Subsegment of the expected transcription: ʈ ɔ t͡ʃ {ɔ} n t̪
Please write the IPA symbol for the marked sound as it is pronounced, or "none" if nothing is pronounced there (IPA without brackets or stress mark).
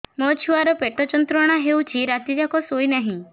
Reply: ɔ